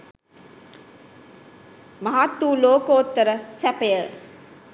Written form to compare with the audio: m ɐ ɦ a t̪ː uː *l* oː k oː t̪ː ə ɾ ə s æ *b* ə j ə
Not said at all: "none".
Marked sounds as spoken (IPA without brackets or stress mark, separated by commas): l, p